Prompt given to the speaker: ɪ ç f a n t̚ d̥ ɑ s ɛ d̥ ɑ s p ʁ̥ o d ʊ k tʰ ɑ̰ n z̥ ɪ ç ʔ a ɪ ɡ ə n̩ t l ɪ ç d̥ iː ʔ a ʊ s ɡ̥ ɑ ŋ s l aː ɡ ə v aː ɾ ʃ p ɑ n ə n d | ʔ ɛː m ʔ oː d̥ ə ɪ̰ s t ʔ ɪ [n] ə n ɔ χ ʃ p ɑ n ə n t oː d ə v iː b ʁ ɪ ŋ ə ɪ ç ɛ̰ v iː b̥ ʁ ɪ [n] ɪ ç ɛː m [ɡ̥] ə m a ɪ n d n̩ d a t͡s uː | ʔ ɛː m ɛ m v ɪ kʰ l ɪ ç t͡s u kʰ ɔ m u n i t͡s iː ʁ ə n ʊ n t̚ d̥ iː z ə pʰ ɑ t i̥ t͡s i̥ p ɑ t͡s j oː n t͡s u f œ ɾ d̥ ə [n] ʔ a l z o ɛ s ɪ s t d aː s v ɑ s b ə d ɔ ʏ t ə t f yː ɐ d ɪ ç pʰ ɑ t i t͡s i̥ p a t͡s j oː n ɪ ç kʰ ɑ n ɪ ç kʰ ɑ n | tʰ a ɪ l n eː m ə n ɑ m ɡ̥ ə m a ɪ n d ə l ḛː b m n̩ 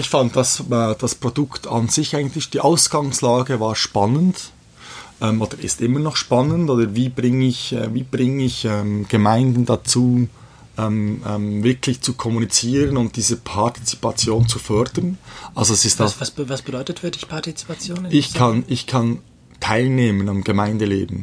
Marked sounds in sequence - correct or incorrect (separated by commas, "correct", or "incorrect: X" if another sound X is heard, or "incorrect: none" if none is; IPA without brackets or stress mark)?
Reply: incorrect: m, incorrect: ŋ, correct, correct